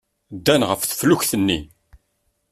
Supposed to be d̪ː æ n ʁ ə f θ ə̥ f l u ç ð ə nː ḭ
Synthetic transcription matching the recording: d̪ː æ n ʁ ə f θ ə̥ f l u ç θ ə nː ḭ